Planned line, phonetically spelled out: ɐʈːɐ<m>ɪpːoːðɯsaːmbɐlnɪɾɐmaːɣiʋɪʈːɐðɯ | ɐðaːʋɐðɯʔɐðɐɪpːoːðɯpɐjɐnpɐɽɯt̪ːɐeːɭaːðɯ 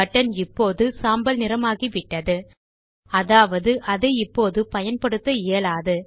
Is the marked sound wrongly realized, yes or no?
yes